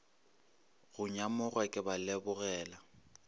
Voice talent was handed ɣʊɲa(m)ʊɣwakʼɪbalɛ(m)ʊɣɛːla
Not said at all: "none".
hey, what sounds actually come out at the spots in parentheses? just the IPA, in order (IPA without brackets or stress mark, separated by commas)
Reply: m, b